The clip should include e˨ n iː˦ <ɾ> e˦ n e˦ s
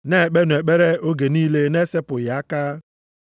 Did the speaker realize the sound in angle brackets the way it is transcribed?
no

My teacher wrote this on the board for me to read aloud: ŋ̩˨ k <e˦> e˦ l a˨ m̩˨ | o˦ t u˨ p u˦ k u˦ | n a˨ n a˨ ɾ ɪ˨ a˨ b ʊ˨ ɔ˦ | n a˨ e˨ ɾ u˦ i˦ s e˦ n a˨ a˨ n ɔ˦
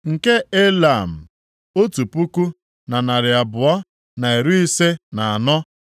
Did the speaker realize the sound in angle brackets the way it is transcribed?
yes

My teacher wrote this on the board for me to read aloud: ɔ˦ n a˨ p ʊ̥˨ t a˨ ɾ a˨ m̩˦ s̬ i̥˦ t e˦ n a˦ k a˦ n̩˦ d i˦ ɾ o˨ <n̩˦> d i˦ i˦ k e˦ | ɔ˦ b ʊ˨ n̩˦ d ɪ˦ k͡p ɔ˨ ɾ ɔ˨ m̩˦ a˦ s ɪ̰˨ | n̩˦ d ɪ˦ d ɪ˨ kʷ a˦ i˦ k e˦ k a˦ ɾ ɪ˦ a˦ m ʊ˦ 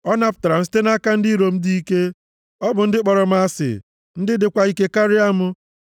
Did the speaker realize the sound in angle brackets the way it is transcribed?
no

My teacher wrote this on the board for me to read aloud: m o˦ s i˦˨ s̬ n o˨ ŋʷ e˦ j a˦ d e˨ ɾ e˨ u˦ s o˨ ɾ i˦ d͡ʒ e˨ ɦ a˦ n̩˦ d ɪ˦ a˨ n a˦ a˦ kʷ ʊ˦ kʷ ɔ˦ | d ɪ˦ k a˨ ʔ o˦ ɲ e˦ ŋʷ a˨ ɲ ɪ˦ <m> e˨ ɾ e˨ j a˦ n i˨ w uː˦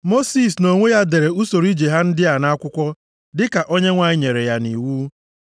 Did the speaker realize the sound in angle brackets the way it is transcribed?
no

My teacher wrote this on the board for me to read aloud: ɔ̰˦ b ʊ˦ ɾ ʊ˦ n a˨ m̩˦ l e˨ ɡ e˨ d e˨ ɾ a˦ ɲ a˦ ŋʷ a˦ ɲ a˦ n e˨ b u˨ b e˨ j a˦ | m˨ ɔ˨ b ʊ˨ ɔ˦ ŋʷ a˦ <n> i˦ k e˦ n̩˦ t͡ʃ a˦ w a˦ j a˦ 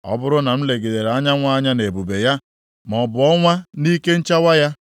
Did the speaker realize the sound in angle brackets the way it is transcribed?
yes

